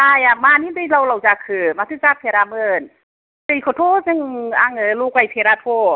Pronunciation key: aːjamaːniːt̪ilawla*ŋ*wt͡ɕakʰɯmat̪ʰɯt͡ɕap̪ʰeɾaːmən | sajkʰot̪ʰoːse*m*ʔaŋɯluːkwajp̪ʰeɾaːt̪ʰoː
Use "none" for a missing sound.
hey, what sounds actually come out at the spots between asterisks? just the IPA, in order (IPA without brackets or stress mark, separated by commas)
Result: none, ŋ